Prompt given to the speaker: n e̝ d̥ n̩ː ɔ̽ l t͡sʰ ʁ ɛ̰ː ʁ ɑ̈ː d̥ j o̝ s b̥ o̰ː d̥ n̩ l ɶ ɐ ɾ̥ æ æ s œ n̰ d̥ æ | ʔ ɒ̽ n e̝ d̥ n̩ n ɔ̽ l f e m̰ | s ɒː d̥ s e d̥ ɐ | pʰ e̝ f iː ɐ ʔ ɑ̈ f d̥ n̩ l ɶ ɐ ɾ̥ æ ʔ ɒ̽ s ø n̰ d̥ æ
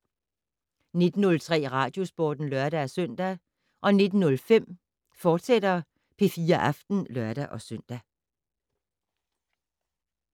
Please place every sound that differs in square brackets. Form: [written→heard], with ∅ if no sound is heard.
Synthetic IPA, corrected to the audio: n e̝ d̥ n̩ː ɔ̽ l t͡sʰ ʁ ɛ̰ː ʁ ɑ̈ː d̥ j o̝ s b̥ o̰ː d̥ n̩ l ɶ ɐ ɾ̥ æ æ s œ n̰ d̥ æ | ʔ ɒ̽ n e̝ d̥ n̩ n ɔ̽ l f e m̰ | [s→f] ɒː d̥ s e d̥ ɐ | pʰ e̝ f iː ɐ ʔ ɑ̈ f d̥ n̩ l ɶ ɐ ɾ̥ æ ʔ ɒ̽ s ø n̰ d̥ æ